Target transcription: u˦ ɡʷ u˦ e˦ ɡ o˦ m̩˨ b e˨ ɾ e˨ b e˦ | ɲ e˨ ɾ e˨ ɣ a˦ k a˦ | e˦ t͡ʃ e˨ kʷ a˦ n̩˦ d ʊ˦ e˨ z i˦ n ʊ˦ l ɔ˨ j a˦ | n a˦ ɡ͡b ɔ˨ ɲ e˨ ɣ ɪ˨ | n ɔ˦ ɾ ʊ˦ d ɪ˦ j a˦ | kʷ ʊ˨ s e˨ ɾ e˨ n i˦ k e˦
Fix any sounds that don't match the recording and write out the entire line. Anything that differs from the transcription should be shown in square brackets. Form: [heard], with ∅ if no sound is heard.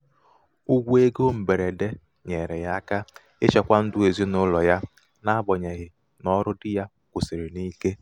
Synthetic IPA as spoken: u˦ ɡʷ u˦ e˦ ɡ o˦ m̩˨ b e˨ ɾ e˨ [d] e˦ | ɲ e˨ ɾ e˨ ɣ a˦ k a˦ | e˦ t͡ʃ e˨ kʷ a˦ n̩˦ d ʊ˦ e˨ z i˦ n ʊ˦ l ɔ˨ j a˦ | n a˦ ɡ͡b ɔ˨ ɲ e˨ ɣ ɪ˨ | n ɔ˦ ɾ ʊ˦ d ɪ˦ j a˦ | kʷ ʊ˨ s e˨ ɾ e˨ n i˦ k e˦